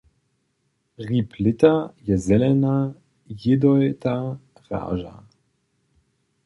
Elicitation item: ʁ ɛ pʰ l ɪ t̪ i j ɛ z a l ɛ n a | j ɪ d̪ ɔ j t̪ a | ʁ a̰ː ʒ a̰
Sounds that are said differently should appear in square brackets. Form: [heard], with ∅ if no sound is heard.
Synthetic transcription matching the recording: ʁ [i] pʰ l ɪ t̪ [a] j ɛ z [ɛ] l ɛ n a | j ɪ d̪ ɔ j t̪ a | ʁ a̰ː ʒ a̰